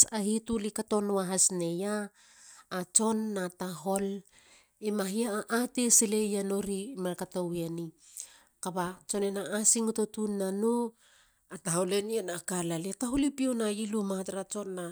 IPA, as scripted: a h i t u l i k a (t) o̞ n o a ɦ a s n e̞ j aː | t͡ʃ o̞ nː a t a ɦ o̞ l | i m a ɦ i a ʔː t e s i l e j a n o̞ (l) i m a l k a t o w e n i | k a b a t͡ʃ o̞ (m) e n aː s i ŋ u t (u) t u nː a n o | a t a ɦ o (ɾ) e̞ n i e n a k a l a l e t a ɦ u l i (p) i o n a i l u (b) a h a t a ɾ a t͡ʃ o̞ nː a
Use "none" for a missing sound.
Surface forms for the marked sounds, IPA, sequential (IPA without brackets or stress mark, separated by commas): t, ɾ, n, o, l, p, m